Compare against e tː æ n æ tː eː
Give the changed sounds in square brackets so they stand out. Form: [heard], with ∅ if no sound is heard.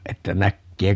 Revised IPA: e tː æ n æ [kː] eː